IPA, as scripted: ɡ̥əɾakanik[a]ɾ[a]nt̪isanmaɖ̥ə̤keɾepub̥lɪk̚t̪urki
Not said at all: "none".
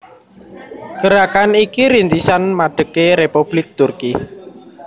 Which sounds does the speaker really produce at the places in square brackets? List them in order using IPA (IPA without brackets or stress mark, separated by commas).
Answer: i, i